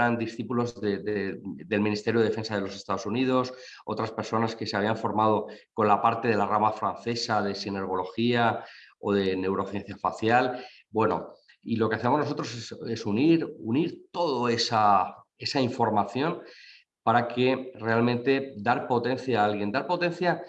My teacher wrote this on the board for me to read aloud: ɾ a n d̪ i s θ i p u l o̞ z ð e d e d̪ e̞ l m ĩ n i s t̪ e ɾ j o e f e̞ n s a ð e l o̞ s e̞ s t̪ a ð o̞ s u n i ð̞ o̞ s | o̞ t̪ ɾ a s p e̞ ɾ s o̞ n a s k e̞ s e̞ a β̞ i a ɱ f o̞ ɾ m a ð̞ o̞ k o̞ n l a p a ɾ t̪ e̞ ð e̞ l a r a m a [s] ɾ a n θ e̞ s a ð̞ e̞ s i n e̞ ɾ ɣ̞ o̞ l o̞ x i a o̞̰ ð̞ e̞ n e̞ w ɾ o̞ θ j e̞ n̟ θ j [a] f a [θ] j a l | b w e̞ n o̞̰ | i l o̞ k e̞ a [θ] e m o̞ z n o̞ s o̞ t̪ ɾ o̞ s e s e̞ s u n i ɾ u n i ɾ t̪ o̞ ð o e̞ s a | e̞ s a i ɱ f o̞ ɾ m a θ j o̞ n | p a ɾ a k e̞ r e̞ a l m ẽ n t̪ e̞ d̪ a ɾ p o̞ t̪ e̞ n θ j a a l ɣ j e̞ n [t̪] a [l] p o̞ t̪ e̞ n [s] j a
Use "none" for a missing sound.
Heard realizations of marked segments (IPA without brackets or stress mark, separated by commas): f, a, θ, θ, d̪, ɾ, θ